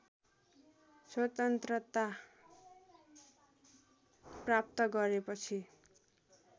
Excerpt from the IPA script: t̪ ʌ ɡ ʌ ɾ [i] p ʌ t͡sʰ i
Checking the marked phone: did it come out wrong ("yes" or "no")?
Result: yes